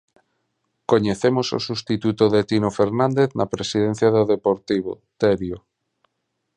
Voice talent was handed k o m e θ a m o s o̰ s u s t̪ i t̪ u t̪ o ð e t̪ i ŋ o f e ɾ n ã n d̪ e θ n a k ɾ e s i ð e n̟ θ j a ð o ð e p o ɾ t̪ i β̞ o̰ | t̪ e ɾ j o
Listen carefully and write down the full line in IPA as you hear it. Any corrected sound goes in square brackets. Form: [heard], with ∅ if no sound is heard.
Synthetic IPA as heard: k o [ɲ] e θ [e] m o s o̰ s u s t̪ i t̪ u t̪ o ð e t̪ i [n] o f e ɾ n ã n d̪ e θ n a [p] ɾ e s i ð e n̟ θ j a ð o ð e p o ɾ t̪ i β̞ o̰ | t̪ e ɾ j o